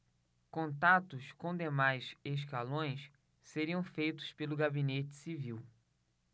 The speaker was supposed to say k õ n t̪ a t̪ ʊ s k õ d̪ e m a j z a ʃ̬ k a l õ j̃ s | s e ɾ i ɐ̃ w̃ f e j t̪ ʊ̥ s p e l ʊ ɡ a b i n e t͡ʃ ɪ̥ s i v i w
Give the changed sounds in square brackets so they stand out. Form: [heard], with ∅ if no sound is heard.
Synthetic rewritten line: k õ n t̪ a t̪ ʊ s k õ d̪ e m a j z [e] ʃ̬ k a l õ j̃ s | s e ɾ i ɐ̃ w̃ f e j t̪ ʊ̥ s p e l ʊ ɡ a b i n e t͡ʃ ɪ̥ s i v i w